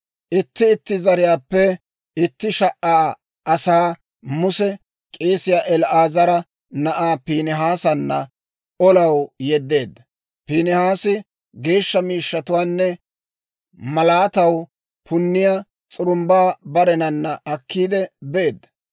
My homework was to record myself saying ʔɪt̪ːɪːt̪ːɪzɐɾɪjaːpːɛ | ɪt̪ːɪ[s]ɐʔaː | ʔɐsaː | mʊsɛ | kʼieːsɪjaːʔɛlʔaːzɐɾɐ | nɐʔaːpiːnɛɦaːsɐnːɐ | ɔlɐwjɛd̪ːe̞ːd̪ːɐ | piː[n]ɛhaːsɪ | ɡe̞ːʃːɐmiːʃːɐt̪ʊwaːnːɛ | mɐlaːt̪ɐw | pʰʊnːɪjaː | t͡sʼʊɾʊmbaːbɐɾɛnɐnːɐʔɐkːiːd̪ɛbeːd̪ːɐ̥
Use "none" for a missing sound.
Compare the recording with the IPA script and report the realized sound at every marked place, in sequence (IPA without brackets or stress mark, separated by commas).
ʃ, n